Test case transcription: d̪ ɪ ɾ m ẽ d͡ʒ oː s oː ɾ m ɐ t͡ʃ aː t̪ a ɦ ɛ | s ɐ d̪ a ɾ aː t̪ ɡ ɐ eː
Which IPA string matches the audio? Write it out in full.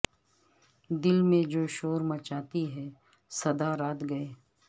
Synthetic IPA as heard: d̪ ɪ l m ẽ d͡ʒ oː ʃ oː ɾ m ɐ t͡ʃ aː t̪ i ɦ ɛ | s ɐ d̪ a ɾ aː t̪ ɡ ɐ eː